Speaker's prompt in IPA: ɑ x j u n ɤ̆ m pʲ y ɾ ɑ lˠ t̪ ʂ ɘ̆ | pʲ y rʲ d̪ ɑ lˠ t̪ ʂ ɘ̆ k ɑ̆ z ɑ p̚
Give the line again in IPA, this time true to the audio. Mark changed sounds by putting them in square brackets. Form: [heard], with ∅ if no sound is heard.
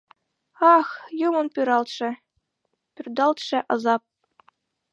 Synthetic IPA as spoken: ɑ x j u [m] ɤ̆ [n] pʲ y ɾ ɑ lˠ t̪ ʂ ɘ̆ | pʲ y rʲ d̪ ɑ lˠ t̪ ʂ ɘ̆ [ʔ] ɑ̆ z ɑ p̚